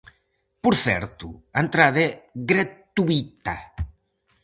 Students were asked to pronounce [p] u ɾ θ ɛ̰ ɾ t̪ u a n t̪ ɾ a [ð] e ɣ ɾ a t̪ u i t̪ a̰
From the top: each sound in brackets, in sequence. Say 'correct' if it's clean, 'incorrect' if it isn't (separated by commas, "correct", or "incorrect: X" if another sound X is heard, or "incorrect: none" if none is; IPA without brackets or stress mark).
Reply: correct, correct